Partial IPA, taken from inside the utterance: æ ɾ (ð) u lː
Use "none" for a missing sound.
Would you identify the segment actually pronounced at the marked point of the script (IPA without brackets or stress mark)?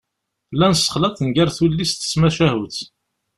θ